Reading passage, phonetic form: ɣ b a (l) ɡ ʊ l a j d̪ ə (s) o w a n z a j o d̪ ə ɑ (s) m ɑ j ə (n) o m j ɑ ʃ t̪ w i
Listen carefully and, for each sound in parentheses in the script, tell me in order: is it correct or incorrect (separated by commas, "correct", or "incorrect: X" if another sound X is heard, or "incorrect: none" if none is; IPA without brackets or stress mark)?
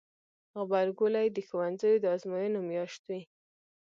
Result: incorrect: ɾ, incorrect: x, incorrect: z, correct